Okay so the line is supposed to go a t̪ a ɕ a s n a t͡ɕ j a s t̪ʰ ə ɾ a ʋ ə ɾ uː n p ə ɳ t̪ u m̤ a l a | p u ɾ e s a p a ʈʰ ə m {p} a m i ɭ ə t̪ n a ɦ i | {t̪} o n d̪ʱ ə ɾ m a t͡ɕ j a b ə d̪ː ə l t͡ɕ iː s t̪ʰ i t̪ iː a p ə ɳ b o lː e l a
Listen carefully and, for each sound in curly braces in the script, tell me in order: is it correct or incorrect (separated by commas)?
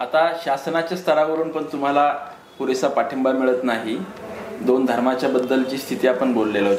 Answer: incorrect, incorrect